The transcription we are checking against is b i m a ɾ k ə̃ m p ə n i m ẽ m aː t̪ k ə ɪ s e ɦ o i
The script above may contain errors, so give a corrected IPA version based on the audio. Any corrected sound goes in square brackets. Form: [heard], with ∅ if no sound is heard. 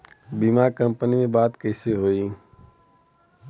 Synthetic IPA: b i m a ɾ k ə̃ m p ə n i m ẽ [b] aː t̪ k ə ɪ s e ɦ o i

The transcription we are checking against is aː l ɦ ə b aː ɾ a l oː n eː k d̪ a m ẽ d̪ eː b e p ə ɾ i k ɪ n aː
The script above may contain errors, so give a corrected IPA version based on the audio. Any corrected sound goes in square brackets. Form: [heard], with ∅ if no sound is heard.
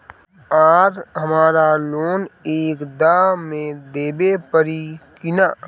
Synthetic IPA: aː [ɾ] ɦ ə [m] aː ɾ a l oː n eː k d̪ a m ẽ d̪ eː b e p ə ɾ i k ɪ n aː

